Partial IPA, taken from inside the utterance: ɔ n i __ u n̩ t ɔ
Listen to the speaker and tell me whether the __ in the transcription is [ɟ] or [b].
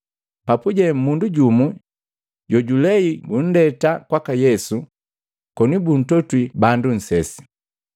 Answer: b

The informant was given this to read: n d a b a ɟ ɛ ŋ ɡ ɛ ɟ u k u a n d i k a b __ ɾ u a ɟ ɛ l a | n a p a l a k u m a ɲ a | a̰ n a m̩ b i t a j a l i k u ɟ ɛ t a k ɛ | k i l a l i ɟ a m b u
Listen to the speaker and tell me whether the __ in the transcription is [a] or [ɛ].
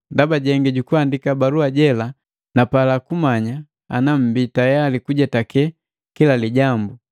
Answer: a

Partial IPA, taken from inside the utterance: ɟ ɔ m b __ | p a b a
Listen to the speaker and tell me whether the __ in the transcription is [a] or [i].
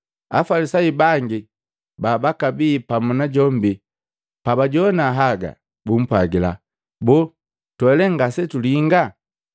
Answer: i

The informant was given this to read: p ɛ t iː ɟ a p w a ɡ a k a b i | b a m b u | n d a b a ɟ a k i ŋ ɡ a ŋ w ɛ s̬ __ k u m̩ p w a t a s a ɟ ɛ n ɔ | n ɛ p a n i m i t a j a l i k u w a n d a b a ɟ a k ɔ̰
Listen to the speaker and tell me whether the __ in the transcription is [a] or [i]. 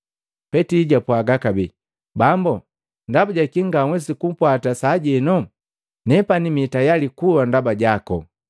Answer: i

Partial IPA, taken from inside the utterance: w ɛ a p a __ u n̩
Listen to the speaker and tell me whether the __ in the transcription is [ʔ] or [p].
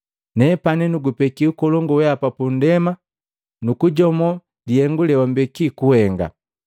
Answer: p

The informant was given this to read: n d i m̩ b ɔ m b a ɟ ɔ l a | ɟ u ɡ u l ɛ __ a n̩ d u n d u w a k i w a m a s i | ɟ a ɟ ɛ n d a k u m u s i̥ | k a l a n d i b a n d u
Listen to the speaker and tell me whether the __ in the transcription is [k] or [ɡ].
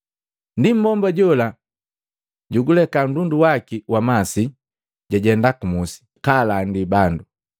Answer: k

